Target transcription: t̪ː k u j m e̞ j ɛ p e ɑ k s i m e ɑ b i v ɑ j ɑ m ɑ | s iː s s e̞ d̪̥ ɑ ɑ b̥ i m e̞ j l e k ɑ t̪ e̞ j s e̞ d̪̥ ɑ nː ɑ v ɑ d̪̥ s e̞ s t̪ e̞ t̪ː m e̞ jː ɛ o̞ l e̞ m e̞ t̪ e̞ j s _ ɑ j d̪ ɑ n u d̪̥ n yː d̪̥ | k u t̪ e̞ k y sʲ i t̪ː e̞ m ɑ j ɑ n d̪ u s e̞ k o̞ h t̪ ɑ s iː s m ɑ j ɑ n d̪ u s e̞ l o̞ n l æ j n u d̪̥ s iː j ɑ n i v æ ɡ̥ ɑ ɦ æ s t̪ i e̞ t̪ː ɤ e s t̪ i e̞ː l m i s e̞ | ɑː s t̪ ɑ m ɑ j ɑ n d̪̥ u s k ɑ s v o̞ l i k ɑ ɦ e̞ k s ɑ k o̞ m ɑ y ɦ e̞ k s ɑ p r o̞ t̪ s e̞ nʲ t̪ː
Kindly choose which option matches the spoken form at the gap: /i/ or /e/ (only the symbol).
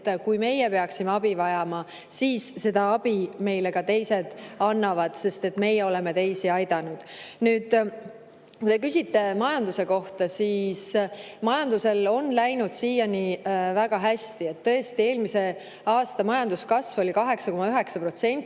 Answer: i